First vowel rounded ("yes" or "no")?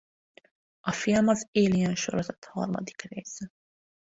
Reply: yes